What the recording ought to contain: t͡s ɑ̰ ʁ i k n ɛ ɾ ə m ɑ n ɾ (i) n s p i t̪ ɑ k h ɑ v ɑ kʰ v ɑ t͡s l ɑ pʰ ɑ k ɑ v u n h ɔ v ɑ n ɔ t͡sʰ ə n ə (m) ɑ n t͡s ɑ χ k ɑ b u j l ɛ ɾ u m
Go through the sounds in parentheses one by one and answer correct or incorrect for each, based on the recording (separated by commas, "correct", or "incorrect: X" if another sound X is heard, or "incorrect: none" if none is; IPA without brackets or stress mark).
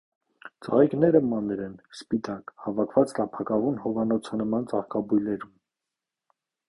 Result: incorrect: ɛ, correct